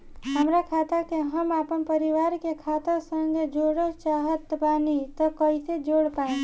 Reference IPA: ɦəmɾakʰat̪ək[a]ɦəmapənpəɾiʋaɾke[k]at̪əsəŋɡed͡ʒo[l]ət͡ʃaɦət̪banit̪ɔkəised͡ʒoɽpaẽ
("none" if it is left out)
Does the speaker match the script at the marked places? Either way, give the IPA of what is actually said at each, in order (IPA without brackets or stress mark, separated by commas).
e, kʰ, ɽ